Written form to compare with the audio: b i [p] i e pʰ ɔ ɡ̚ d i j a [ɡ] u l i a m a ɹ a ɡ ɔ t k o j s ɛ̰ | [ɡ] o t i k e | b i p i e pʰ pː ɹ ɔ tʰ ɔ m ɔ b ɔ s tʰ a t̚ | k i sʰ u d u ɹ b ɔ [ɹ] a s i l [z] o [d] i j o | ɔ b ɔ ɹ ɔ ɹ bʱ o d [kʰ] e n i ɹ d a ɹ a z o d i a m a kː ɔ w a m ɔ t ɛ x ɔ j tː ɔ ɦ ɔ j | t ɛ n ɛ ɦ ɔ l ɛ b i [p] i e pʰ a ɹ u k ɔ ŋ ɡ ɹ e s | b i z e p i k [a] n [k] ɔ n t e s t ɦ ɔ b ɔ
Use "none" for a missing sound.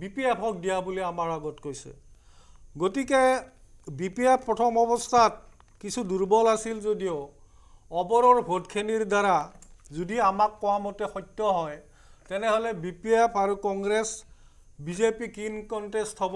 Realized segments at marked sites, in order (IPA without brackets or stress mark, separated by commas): p, b, ɡ, l, z, d, kʰ, p, i, k